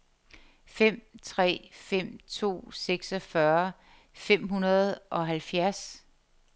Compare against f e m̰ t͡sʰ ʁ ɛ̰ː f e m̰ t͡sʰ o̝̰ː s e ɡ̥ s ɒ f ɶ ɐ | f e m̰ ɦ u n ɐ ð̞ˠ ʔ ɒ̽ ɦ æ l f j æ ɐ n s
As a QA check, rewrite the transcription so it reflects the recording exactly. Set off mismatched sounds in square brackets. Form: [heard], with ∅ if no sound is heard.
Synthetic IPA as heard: f e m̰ t͡sʰ ʁ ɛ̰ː f e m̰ t͡sʰ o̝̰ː s e ɡ̥ s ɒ f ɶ ɐ | f e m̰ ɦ u n ɐ ð̞ˠ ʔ ɒ̽ ɦ æ l f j æ ɐ [∅] s